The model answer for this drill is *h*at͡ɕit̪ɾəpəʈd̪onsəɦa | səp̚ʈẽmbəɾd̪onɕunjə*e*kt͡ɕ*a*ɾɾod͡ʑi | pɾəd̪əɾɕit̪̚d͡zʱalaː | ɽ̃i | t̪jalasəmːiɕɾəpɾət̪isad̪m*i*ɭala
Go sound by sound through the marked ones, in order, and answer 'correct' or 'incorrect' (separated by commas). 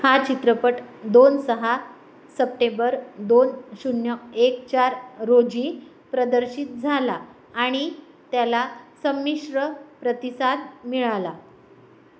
correct, correct, correct, correct